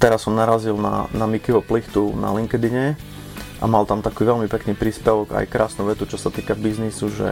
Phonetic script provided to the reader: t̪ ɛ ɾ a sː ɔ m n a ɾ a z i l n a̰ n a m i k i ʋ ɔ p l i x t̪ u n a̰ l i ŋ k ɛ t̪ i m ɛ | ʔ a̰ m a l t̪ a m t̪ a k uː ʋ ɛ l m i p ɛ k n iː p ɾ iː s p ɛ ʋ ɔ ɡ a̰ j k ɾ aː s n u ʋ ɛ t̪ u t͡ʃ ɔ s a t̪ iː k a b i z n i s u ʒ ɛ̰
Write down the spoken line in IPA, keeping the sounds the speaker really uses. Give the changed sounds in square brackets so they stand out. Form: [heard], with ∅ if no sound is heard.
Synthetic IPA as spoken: t̪ ɛ ɾ a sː ɔ m n a ɾ a z i l n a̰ n a m i k i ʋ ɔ p l i x t̪ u n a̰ l i ŋ k ɛ [d̪] i [ɲ] ɛ | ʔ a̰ m a l t̪ a m t̪ a k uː ʋ ɛ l m i p ɛ k n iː p ɾ iː s p ɛ ʋ ɔ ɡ a̰ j k ɾ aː s n u ʋ ɛ t̪ u t͡ʃ ɔ s a t̪ iː k a b i z n i s u ʒ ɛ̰